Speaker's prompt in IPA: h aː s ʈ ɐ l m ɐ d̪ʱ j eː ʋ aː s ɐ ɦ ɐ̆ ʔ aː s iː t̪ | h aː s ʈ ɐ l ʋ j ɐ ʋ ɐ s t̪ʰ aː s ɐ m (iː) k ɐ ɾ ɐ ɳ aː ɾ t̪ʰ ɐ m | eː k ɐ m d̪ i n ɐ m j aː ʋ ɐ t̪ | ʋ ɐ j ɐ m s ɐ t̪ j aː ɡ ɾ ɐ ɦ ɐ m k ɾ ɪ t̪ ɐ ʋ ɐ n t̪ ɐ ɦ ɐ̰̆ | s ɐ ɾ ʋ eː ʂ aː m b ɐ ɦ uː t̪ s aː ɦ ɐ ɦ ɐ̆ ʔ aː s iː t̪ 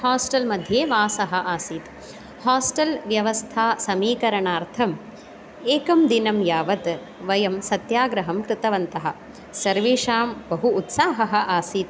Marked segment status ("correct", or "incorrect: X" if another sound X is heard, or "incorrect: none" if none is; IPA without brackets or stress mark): correct